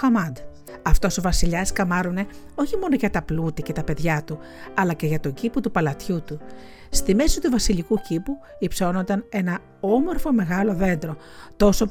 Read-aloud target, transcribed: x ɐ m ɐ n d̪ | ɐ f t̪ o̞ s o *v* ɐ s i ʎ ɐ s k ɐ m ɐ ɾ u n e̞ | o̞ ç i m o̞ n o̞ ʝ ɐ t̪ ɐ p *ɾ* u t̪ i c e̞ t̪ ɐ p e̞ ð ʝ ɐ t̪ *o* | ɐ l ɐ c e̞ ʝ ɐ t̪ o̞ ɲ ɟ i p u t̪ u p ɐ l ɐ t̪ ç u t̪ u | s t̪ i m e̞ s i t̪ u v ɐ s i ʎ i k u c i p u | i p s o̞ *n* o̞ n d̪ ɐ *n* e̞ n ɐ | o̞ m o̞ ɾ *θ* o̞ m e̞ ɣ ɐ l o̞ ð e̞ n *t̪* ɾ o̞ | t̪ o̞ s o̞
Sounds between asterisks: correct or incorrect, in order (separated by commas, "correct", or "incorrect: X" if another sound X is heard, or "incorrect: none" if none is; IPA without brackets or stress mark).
correct, incorrect: l, incorrect: u, correct, correct, incorrect: f, incorrect: d̪